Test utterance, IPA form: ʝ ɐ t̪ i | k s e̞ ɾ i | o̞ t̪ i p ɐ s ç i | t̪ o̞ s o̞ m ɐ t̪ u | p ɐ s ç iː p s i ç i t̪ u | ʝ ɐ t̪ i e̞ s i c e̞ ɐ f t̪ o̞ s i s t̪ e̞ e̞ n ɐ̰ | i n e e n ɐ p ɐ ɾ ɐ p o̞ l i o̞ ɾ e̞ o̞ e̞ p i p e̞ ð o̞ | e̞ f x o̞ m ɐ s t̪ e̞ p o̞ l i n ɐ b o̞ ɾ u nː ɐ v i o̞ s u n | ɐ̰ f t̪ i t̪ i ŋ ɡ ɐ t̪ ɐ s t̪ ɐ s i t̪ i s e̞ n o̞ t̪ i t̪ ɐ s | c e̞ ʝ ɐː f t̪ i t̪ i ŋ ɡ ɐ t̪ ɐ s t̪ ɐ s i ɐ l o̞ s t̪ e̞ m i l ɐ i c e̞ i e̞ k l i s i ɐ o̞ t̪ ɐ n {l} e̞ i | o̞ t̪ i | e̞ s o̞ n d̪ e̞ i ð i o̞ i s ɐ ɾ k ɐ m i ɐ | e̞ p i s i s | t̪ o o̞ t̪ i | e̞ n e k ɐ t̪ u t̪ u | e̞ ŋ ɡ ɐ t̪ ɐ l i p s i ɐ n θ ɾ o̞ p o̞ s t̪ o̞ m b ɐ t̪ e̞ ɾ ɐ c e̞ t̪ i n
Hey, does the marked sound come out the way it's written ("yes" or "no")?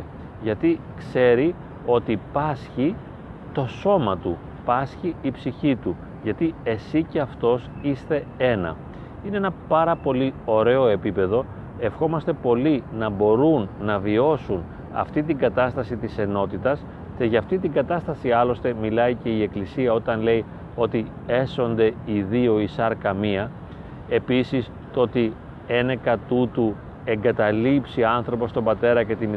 yes